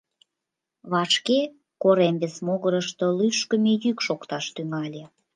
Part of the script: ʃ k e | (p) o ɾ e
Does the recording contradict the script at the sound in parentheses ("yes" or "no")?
yes